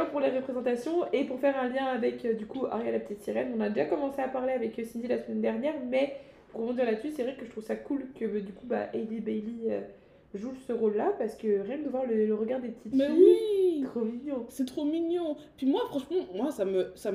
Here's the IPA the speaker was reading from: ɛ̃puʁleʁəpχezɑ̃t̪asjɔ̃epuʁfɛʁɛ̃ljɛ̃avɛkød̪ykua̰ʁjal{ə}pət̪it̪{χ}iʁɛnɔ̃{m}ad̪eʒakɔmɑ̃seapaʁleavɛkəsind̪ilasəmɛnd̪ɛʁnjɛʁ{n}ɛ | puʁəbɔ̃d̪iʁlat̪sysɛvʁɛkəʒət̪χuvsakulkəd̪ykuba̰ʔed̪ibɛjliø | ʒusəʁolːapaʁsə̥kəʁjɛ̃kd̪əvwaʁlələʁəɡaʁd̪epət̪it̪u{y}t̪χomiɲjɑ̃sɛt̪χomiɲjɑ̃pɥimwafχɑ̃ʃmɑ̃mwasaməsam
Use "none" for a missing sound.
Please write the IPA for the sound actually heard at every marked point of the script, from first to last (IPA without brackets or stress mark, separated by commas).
a, s, n, m, i